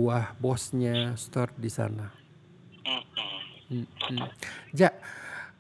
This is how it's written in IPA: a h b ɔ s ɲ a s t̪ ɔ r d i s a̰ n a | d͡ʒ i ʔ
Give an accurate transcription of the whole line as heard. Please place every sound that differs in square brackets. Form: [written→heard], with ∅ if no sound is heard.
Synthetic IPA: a h b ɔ s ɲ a s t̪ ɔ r d i s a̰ n a | d͡ʒ [i→a] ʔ